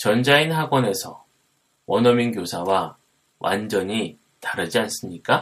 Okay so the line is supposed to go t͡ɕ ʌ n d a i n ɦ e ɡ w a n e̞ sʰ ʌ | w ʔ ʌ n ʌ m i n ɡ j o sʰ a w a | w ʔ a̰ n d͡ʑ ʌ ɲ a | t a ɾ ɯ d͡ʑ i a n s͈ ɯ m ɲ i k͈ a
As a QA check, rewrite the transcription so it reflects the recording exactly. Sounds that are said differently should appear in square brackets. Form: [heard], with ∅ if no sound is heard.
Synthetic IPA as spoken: t͡ɕ ʌ n [d͡ʑ] a i n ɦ [a] ɡ w [ʌ] n e̞ sʰ ʌ | w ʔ ʌ n ʌ m i n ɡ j o sʰ a w a | w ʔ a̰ n d͡ʑ ʌ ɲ [i] | t a ɾ ɯ d͡ʑ i a n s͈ ɯ m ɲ i k͈ a